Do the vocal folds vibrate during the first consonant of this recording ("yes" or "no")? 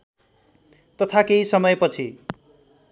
no